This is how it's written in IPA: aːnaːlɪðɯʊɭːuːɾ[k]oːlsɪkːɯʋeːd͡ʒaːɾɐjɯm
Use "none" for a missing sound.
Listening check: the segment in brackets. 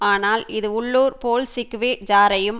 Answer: p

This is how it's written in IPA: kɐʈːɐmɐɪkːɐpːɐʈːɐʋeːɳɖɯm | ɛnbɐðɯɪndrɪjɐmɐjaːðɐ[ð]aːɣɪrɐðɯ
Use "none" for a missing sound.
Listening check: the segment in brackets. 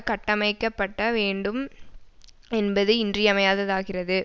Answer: ð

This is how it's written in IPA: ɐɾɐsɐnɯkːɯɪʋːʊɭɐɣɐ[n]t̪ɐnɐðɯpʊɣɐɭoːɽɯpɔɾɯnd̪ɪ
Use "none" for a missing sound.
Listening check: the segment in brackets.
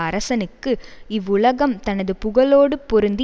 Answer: m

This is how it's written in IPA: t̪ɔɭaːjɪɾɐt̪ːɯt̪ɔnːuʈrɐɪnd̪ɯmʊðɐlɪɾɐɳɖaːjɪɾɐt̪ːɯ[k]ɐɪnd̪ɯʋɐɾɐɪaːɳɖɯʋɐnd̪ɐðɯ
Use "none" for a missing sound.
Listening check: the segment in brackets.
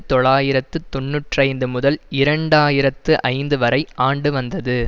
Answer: ʔ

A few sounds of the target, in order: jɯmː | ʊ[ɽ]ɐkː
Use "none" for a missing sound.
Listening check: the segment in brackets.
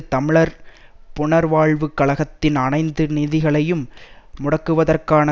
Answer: ɽ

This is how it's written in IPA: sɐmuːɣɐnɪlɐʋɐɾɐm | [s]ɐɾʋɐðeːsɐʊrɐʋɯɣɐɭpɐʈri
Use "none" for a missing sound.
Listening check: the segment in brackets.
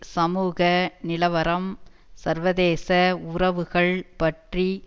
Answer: s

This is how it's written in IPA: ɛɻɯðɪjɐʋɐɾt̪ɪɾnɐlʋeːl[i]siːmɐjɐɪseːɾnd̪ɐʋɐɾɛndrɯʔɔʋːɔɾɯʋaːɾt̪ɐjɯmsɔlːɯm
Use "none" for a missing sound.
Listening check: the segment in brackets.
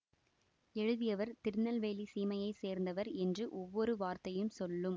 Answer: i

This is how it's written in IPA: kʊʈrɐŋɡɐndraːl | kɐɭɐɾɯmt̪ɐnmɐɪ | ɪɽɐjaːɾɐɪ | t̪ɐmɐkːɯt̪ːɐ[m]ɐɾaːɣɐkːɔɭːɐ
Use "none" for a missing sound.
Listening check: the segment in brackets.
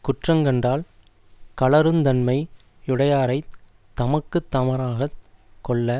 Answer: m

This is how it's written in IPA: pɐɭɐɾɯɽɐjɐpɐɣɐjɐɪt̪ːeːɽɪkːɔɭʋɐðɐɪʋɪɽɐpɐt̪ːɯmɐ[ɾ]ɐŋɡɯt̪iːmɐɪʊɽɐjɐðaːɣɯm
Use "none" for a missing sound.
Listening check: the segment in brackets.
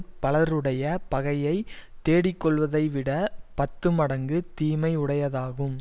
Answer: ɽ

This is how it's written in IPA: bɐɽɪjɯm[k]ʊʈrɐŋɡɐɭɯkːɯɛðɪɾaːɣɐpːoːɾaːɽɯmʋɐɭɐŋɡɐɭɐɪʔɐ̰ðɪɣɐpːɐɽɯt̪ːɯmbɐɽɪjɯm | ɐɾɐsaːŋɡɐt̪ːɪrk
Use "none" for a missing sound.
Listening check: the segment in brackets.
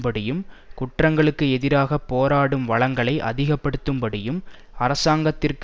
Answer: k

